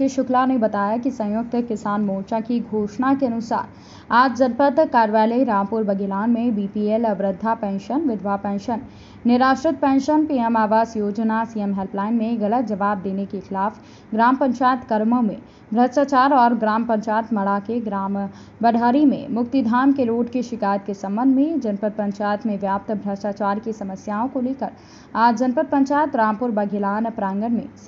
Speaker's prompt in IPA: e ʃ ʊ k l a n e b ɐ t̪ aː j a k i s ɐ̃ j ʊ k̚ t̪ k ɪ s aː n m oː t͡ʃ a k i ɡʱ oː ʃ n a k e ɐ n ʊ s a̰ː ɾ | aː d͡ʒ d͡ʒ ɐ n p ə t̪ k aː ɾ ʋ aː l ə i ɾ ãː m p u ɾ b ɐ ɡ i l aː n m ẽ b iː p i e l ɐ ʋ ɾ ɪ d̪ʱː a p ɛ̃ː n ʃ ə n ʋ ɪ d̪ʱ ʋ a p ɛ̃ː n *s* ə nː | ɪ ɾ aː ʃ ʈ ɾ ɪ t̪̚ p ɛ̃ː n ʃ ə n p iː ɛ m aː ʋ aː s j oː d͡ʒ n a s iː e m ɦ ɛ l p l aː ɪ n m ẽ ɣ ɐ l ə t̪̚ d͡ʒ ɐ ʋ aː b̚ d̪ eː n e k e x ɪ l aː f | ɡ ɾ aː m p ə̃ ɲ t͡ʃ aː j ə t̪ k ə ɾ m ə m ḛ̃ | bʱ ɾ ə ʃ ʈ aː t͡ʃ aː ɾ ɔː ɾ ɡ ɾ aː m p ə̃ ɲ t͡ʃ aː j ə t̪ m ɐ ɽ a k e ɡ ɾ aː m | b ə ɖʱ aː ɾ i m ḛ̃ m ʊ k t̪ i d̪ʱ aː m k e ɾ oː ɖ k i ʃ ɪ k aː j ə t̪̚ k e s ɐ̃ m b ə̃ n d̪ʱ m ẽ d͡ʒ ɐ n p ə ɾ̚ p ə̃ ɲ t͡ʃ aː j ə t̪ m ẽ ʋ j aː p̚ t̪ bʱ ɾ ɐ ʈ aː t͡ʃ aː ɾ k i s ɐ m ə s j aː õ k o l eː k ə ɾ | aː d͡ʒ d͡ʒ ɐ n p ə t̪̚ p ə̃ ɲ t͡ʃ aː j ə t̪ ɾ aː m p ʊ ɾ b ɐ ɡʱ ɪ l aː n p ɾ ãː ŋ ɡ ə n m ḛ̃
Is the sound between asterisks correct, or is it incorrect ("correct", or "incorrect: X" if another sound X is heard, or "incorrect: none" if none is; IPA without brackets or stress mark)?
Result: incorrect: ʃ